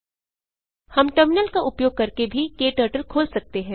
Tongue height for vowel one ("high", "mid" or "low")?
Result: low